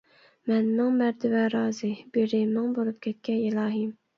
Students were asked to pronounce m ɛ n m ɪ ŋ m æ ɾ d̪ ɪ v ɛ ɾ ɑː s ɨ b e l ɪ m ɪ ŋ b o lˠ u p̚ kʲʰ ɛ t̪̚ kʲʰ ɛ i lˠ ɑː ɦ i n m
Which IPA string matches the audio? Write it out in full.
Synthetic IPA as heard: m ɛ n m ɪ ŋ m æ ɾ d̪ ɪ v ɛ ɾ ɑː z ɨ b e ɾ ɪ m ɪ ŋ b o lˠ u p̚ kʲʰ ɛ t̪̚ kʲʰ ɛ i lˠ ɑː ɦ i m

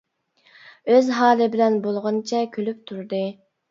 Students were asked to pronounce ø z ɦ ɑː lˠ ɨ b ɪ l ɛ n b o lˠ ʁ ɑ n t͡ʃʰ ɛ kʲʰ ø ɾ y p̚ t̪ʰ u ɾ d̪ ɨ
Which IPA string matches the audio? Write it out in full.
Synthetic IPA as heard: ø z ɦ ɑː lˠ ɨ b ɪ l ɛ n b o lˠ ʁ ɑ n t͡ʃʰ ɛ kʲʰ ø l y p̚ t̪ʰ u ɾ d̪ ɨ

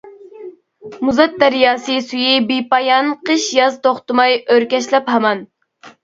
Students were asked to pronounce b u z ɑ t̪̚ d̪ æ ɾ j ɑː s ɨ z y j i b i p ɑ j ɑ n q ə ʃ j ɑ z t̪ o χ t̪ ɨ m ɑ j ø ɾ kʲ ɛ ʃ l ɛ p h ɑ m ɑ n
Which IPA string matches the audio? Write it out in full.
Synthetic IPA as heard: m u z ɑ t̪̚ d̪ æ ɾ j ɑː s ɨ s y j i b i p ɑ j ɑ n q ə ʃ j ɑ z t̪ o χ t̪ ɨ m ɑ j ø ɾ kʲ ɛ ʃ l ɛ p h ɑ m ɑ n

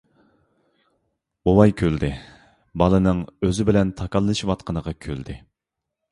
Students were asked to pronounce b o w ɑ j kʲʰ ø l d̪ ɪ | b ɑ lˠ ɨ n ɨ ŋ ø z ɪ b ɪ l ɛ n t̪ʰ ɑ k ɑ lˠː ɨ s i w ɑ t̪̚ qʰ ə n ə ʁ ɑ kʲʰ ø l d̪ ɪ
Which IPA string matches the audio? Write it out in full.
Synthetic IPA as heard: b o w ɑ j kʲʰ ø l d̪ ɪ | b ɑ lˠ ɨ n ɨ ŋ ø z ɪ b ɪ l ɛ n t̪ʰ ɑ k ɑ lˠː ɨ ʃ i w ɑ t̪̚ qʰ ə n ə ʁ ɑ kʲʰ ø l d̪ ɪ

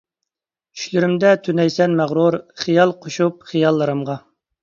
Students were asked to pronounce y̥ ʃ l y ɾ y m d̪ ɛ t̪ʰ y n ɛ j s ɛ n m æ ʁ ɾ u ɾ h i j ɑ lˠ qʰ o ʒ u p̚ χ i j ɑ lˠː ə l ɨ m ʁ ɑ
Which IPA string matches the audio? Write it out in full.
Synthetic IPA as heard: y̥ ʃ l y ɾ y m d̪ ɛ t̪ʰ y n ɛ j s ɛ n m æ ʁ ɾ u ɾ χ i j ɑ lˠ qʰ o ʃ u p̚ χ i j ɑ lˠː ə ɾ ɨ m ʁ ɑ

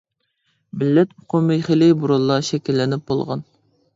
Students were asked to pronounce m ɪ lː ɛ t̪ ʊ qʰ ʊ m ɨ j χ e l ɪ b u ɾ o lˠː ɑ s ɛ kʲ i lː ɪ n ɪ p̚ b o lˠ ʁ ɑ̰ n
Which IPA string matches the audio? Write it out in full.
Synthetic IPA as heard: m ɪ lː ɛ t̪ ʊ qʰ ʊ m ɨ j χ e l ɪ b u ɾ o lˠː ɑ ʃ ɛ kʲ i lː ɪ n ɪ p̚ b o lˠ ʁ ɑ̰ n

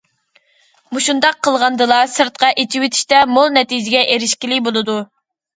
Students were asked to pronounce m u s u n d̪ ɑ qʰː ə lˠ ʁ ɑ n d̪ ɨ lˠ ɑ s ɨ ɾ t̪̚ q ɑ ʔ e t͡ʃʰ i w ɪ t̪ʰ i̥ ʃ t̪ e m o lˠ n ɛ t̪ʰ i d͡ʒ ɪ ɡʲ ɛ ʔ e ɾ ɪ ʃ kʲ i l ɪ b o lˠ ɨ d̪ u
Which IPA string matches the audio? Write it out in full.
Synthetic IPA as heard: m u ʃ u n d̪ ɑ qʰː ə lˠ ʁ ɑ n d̪ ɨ lˠ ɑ s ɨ ɾ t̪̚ q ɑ ʔ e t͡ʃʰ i w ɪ t̪ʰ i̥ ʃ t̪ ɛ m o lˠ n ɛ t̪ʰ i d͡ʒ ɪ ɡʲ ɛ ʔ e ɾ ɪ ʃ kʲ i l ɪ b o lˠ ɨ d̪ u

